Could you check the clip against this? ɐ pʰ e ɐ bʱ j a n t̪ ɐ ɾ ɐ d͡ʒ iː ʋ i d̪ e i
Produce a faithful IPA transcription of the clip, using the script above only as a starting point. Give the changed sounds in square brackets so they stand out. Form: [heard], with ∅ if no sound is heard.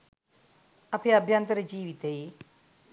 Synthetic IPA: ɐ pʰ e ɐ bʱ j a n t̪ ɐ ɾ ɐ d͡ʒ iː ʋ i [t̪] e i